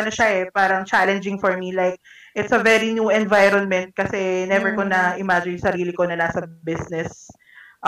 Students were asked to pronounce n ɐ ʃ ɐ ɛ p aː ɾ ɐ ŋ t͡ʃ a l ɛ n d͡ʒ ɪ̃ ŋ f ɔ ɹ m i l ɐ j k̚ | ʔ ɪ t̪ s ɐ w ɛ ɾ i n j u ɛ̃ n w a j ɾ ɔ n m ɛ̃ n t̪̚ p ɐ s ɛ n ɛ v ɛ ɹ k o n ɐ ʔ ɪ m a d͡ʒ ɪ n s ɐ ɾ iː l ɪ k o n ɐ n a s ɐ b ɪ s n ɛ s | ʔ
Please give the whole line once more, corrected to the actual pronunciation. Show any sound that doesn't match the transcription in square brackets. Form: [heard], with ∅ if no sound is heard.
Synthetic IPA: n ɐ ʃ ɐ ɛ p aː ɾ ɐ ŋ t͡ʃ a l ɛ n d͡ʒ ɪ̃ ŋ f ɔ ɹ m i l [a] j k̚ | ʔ ɪ t̪ s ɐ [v] ɛ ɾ i n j u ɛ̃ n [v] a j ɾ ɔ n m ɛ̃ n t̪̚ [k] ɐ s ɛ n ɛ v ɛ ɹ k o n ɐ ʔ ɪ m a d͡ʒ ɪ n s ɐ ɾ iː l ɪ k o n ɐ n a s ɐ b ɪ s n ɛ s | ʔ